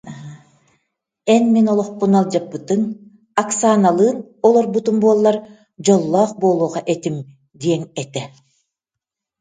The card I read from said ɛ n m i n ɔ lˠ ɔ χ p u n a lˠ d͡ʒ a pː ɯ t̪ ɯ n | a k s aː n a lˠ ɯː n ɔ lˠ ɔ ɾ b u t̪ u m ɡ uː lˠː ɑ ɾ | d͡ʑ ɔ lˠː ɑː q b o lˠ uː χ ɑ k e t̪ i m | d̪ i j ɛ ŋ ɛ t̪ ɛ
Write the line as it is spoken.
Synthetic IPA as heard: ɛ n m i n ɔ lˠ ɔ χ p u n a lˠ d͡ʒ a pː ɯ t̪ ɯ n | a k s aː n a lˠ ɯː n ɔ lˠ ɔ ɾ b u t̪ u m b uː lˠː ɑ ɾ | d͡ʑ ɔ lˠː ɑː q b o lˠ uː ʁ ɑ ʔ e t̪ i m | d̪ i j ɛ ŋ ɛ t̪ ɛ